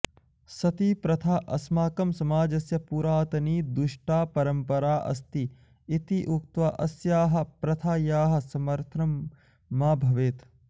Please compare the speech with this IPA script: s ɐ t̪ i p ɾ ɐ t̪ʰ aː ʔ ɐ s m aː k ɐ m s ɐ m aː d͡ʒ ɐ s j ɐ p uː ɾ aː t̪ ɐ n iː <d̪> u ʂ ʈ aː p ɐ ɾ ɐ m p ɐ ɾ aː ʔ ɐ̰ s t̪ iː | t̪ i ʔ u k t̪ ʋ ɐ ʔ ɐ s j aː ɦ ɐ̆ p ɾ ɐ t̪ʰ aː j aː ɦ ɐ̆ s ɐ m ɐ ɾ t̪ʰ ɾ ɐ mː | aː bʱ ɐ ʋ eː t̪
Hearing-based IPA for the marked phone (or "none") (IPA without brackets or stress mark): d̪